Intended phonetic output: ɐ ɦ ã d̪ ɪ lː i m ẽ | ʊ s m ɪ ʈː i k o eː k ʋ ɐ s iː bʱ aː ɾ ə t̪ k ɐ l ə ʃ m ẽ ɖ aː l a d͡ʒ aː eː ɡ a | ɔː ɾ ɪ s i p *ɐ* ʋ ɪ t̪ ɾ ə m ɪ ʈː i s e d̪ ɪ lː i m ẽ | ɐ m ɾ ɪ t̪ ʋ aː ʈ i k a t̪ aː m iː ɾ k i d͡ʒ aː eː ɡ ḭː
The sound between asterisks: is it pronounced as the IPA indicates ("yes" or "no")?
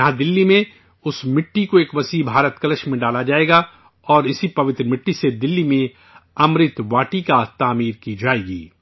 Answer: yes